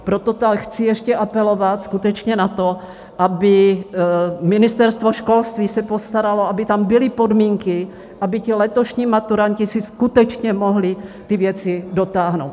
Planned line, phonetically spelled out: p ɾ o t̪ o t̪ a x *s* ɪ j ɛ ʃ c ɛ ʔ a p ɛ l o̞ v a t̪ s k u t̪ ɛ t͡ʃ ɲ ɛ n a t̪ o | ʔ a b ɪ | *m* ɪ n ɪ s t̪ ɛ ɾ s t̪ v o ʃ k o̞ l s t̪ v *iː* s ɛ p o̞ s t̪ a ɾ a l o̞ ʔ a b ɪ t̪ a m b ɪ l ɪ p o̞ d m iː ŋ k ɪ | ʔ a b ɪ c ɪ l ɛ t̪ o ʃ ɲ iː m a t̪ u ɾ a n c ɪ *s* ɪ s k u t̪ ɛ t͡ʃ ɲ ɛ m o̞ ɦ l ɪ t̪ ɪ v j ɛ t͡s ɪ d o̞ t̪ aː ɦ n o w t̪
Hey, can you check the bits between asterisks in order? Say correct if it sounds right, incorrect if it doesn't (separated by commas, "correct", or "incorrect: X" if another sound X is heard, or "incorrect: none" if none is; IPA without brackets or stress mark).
incorrect: t͡s, correct, correct, correct